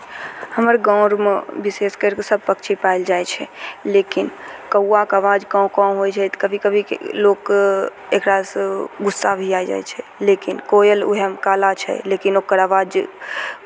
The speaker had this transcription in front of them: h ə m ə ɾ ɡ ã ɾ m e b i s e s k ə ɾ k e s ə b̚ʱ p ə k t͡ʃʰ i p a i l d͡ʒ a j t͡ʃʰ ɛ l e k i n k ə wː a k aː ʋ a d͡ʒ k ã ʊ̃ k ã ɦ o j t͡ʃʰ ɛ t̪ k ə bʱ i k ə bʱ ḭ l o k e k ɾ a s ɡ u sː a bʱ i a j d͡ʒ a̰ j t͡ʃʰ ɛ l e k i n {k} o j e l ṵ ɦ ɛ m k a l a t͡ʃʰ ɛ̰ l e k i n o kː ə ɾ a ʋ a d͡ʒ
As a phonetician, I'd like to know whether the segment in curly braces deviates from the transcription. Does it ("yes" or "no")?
no